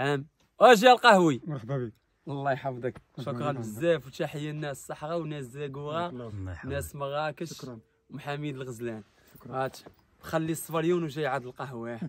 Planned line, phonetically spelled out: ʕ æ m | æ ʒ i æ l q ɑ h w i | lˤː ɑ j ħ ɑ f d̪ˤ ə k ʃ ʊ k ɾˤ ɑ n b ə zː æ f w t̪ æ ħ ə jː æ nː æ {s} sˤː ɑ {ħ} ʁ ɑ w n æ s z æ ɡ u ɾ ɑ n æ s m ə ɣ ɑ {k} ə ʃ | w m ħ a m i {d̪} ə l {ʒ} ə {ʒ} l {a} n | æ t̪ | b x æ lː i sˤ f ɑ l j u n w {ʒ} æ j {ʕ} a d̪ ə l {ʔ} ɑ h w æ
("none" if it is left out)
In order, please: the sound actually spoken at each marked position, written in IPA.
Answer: s, ħ, k, d̪, ɣ, z, æ, ʒ, ʕ, q

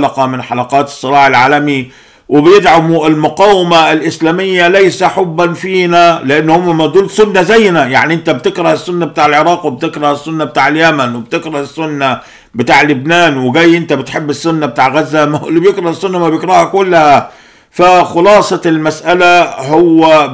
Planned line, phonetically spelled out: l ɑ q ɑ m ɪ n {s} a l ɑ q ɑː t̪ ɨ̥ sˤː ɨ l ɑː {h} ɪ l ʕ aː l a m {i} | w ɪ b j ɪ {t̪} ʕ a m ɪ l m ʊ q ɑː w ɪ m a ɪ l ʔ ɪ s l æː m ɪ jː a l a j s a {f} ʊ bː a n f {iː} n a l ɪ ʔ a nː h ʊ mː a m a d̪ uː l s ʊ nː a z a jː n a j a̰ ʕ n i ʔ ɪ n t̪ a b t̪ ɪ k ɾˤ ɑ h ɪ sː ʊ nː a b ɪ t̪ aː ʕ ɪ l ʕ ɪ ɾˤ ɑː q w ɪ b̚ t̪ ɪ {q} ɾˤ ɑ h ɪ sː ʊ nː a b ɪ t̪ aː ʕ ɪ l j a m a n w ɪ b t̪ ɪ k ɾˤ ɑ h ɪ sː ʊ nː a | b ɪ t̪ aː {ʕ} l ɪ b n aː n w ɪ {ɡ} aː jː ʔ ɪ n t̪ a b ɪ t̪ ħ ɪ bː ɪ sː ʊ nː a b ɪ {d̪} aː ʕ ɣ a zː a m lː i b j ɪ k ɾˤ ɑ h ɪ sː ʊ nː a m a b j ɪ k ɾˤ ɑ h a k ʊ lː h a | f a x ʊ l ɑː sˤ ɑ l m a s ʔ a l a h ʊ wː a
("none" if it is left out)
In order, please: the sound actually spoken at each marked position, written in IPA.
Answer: ħ, ħ, i, d̪, ħ, iː, k, ʕ, ɡ, t̪

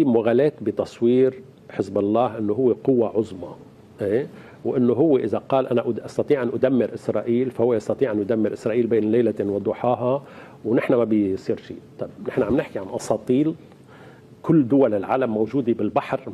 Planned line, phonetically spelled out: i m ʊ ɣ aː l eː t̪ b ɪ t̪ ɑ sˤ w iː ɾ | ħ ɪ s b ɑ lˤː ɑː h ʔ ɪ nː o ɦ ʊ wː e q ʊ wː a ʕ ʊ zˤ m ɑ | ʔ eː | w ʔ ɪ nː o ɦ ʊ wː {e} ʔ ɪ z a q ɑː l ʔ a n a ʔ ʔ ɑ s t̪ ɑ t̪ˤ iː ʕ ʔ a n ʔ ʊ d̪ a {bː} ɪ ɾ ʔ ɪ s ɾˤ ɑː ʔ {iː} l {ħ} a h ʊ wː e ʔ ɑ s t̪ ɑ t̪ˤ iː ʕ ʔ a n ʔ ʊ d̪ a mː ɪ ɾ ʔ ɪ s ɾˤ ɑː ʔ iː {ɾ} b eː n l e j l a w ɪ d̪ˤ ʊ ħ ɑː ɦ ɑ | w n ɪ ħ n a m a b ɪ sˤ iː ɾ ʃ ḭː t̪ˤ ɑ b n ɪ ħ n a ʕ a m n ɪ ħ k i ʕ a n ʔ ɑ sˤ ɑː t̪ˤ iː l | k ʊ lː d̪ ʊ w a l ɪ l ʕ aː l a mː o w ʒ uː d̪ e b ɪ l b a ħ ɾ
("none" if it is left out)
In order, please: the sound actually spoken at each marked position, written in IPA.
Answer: e, mː, iː, f, l

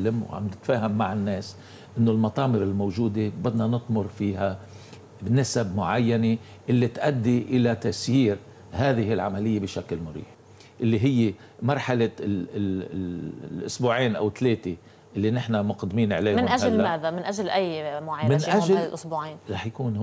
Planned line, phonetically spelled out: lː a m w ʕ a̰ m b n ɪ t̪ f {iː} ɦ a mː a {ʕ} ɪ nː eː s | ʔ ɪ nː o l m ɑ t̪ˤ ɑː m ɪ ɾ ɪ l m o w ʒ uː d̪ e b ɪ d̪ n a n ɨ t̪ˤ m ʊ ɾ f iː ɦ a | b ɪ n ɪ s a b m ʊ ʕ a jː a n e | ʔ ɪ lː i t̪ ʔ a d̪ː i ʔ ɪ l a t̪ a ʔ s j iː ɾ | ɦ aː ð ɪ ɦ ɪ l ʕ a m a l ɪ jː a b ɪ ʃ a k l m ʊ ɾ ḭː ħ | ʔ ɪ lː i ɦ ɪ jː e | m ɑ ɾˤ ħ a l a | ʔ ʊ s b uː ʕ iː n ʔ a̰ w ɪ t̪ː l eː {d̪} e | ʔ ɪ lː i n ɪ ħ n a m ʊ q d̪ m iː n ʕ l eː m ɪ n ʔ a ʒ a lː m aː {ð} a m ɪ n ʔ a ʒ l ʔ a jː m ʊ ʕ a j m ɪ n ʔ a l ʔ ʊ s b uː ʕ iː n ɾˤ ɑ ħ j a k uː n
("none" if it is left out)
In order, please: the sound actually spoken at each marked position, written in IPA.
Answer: aː, ʕ, t̪, ð

